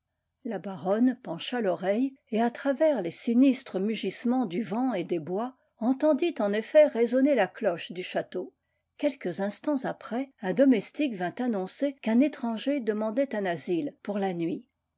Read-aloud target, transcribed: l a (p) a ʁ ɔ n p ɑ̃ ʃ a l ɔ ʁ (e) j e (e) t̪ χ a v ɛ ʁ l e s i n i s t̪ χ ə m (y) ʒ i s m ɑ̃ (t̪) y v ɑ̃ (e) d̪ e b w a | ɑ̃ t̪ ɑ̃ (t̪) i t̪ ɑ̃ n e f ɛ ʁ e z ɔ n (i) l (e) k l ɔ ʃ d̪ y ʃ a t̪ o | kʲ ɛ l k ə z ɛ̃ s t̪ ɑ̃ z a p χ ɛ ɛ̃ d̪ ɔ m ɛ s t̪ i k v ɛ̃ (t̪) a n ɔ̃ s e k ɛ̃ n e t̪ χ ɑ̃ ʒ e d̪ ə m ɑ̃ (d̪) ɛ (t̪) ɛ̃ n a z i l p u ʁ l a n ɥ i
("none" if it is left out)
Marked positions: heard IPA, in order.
b, ɛ, a, y, d̪, e, d̪, e, a, t̪, d̪, t̪

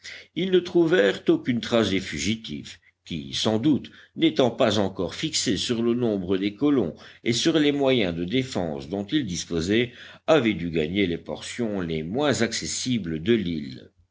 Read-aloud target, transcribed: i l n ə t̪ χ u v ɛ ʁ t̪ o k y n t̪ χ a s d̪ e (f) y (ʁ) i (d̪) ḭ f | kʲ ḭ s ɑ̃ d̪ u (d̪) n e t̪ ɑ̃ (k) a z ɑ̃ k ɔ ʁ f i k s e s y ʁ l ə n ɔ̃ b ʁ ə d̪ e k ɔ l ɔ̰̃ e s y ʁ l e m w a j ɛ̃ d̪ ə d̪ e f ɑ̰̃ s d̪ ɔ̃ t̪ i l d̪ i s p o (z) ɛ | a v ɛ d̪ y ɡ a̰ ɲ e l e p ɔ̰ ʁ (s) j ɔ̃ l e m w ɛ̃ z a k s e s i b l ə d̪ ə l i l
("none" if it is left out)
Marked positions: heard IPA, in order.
f, ʒ, t̪, t̪, p, z, s

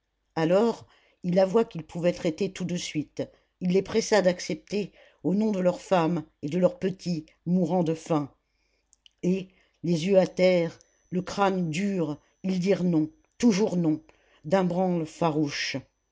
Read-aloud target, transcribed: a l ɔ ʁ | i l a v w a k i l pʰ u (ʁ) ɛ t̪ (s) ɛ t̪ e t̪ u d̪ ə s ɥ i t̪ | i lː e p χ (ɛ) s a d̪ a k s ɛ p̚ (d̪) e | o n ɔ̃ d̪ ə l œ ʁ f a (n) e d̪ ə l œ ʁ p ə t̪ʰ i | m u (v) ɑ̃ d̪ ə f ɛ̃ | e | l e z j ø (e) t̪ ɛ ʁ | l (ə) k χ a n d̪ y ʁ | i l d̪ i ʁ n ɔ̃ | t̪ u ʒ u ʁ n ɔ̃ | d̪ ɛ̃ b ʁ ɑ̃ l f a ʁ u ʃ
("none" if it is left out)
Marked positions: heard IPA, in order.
v, χ, ɛ, t̪, m, ʁ, a, ə

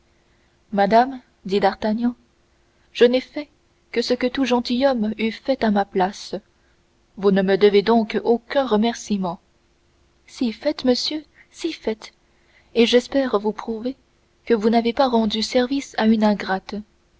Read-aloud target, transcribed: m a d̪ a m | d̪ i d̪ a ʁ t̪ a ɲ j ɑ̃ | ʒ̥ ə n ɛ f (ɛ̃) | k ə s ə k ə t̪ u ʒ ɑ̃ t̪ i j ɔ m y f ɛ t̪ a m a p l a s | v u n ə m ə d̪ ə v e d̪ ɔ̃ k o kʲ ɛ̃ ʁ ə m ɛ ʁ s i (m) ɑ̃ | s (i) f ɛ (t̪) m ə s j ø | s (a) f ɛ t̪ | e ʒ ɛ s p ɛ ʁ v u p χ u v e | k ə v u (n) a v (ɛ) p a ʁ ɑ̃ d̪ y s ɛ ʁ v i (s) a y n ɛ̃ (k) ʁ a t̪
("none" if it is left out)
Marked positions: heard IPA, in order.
ɛ, m, i, t̪, i, n, e, s, ɡ

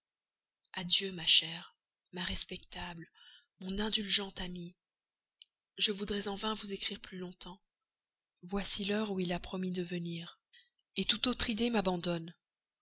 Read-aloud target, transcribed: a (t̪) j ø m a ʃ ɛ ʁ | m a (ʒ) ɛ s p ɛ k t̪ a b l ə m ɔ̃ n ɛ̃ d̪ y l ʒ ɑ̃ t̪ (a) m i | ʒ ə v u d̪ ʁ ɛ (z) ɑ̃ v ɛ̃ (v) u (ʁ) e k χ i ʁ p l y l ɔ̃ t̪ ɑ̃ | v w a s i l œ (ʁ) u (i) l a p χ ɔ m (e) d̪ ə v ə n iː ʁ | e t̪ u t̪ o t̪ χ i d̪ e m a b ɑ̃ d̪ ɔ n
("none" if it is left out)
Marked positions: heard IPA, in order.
d̪, ʁ, a, z, v, z, ʁ, i, i

